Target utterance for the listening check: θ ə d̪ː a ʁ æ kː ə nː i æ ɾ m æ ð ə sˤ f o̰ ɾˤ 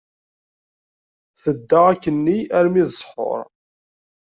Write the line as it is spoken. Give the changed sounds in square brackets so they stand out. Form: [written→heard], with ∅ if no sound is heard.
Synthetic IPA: θ ə d̪ː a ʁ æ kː ə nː i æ ɾ m [æ→i] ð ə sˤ [f→ħ] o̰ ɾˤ